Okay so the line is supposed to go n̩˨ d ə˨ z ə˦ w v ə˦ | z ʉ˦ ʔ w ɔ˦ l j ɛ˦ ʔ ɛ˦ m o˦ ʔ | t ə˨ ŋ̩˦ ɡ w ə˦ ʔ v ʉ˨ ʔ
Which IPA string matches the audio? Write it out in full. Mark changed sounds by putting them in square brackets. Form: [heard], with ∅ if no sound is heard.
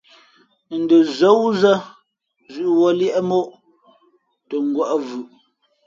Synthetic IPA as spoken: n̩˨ d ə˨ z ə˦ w [z] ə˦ | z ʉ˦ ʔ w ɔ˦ l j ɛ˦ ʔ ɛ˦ m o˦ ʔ | t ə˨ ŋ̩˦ ɡ w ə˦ ʔ v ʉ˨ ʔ